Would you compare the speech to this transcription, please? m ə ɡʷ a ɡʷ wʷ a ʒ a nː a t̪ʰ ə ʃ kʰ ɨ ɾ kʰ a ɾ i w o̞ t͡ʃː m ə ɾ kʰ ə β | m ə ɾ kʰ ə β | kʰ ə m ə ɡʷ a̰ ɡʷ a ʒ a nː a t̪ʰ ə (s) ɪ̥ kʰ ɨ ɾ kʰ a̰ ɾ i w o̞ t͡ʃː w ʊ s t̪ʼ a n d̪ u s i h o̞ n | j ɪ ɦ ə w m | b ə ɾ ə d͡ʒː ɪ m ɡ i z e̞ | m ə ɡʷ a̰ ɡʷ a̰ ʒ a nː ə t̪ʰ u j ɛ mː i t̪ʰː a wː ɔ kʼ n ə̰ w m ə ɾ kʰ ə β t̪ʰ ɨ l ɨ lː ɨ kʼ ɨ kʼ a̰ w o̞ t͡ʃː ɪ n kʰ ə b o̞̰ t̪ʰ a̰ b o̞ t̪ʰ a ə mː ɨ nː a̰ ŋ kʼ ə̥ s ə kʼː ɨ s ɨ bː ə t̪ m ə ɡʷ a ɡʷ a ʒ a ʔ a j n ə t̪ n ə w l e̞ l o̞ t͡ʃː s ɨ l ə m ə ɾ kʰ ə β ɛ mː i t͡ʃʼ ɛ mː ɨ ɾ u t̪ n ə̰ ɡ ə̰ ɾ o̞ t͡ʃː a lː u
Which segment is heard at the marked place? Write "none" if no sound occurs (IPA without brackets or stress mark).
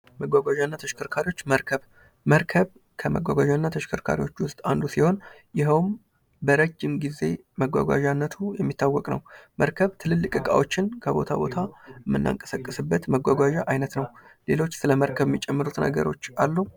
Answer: ʃ